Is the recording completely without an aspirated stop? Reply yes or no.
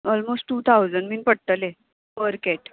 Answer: no